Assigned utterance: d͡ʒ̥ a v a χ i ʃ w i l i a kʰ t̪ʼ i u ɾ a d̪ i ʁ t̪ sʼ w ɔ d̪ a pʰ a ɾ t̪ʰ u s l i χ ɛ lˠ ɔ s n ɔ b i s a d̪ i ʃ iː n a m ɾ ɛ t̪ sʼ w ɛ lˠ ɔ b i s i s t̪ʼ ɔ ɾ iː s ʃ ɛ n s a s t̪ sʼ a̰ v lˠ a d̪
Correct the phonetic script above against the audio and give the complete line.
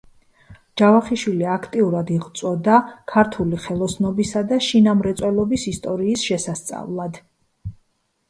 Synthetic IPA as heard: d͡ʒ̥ a v a χ i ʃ w i l i a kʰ t̪ʼ i u ɾ a d̪ i ʁ t̪ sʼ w ɔ d̪ a kʰ a ɾ t̪ʰ u l i χ ɛ lˠ ɔ s n ɔ b i s a d̪ a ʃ i n a m ɾ ɛ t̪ sʼ w ɛ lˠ ɔ b i s i s t̪ʼ ɔ ɾ iː s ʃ ɛ s a s t̪ sʼ a̰ v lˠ a d̪